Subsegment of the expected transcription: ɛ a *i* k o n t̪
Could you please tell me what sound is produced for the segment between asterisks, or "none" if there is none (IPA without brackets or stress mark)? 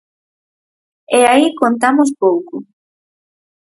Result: i